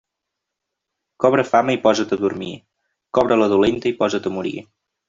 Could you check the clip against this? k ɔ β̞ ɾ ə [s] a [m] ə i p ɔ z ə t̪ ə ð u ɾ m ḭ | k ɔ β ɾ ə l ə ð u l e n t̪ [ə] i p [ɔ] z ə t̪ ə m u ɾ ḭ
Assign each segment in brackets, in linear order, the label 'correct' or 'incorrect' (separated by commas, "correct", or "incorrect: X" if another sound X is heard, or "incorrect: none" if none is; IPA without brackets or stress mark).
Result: incorrect: f, correct, correct, correct